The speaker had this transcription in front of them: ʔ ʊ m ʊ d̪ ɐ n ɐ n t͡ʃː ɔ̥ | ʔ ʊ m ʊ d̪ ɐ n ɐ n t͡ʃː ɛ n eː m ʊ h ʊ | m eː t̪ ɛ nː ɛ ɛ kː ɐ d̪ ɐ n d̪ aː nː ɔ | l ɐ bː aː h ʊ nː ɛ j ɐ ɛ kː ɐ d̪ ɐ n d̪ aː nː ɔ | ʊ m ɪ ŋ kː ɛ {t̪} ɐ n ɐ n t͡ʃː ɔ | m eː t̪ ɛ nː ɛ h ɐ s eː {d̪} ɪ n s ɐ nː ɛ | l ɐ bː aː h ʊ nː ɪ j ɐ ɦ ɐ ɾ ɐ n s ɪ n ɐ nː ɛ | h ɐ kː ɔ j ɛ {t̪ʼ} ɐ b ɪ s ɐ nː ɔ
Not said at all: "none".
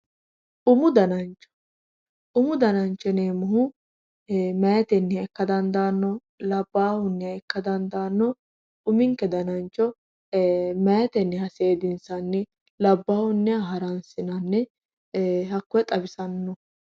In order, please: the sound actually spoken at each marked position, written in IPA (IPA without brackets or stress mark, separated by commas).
d̪, d̪, t̪ʼ